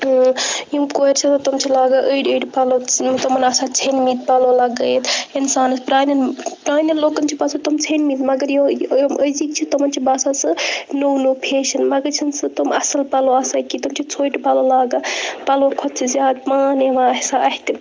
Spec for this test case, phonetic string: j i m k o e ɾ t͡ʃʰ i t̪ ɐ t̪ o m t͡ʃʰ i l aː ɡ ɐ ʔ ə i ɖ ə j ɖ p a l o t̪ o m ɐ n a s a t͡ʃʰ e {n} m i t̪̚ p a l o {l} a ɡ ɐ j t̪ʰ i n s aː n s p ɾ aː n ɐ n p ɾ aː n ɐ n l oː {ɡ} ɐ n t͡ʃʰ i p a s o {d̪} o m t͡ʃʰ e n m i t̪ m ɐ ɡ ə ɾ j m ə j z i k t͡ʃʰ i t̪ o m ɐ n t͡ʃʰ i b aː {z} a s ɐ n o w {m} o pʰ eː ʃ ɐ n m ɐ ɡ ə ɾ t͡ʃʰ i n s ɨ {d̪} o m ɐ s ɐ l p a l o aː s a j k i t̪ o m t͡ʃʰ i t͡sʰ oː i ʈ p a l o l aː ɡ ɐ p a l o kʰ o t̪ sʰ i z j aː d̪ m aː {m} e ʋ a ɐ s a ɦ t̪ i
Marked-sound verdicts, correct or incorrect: correct, correct, incorrect: k, incorrect: t̪, incorrect: s, incorrect: n, incorrect: t̪, incorrect: n

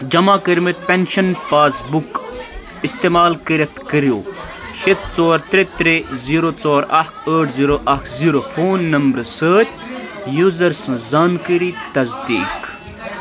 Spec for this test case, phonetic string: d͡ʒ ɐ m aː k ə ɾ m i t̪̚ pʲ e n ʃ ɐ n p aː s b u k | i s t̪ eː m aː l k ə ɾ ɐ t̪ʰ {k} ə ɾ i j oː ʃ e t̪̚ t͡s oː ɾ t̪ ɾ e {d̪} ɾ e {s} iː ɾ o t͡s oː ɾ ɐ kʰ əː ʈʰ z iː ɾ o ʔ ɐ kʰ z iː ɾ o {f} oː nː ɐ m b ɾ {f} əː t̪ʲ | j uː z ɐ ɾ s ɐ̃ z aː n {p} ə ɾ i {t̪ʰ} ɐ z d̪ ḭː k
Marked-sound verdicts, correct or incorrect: correct, incorrect: t̪, incorrect: z, correct, incorrect: s, incorrect: k, incorrect: t̪

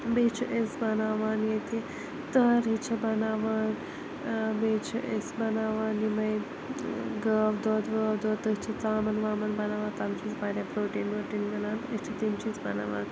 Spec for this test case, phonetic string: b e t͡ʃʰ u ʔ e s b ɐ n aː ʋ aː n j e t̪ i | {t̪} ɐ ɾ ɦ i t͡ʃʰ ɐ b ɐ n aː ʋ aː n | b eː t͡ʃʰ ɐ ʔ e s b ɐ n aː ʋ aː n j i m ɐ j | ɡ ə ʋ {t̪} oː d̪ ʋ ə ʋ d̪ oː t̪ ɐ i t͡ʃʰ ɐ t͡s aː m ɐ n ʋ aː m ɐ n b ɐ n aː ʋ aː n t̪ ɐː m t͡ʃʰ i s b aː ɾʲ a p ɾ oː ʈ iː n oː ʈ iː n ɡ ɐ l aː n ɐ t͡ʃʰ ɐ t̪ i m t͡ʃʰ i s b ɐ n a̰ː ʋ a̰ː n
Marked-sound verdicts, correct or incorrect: correct, incorrect: d̪

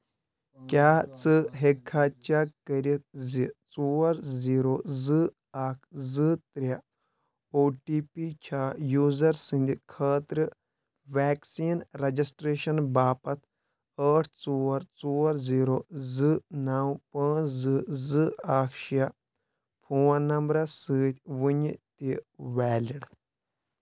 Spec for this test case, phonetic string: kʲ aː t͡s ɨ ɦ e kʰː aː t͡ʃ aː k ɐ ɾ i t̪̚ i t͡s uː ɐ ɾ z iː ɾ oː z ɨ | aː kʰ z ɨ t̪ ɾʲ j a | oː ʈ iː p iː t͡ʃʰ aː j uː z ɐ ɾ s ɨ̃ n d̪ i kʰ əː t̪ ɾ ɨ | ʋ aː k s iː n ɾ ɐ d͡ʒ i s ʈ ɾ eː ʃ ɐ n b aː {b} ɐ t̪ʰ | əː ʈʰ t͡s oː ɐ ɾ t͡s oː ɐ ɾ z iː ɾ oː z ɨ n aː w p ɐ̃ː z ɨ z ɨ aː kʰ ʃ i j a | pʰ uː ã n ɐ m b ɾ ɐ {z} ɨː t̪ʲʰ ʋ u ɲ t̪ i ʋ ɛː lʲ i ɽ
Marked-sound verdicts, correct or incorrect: incorrect: p, incorrect: s

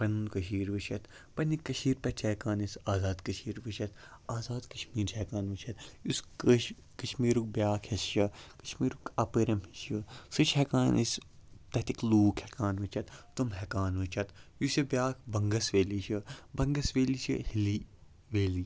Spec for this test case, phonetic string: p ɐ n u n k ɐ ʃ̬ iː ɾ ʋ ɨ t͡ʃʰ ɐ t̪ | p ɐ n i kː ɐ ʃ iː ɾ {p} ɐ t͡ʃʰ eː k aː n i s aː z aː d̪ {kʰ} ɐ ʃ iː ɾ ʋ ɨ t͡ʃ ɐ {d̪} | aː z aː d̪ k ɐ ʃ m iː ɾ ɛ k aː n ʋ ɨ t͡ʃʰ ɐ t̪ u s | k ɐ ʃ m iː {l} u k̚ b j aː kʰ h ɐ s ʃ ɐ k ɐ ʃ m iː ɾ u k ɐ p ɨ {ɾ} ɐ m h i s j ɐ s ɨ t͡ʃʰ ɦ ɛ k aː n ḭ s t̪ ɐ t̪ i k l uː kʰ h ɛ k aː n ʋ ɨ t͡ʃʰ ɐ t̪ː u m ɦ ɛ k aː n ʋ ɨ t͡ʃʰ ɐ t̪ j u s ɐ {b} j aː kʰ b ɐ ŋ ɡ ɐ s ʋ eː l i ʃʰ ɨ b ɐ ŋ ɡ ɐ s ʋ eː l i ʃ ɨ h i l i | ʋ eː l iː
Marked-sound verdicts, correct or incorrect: correct, incorrect: k, incorrect: t̪, incorrect: ɾ, correct, correct

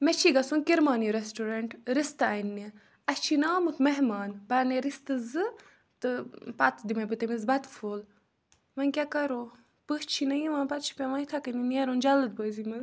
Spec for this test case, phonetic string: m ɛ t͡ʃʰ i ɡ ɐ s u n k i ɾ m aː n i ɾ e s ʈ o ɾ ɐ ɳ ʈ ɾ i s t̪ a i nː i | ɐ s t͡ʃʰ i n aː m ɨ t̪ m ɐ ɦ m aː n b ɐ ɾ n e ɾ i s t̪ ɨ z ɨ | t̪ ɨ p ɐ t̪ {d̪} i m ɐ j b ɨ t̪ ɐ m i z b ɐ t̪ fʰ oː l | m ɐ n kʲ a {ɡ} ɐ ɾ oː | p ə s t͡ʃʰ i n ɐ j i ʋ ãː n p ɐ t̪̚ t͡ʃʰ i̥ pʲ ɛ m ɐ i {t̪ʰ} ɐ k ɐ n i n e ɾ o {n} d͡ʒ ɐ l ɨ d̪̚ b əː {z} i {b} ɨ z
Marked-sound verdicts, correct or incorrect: correct, incorrect: k, correct, correct, correct, incorrect: m

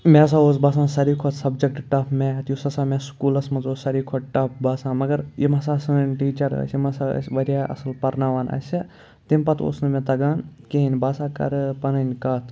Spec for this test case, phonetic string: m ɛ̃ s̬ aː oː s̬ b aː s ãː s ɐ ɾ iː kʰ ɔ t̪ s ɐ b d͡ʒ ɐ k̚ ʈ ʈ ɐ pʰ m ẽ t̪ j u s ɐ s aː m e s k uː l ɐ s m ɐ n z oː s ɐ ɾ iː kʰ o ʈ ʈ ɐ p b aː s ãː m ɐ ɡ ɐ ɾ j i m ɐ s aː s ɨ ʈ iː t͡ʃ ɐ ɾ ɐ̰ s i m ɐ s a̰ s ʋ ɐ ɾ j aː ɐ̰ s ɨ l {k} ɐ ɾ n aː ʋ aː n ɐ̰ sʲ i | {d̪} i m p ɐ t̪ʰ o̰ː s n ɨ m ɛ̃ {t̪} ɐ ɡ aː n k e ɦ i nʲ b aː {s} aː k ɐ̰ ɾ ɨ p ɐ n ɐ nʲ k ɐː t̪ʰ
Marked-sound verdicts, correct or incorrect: incorrect: p, incorrect: t̪, correct, correct

